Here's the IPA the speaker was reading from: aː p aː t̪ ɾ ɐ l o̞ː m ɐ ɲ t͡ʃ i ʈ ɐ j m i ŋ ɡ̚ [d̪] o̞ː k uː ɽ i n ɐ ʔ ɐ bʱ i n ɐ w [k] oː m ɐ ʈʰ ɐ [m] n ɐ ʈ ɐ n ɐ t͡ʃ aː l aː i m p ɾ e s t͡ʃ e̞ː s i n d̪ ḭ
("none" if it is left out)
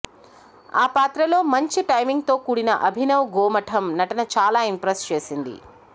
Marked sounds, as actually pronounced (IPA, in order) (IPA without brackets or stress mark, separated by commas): t̪, ɡ, m